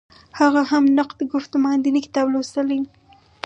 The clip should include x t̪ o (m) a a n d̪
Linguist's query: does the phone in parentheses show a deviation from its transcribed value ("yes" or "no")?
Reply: no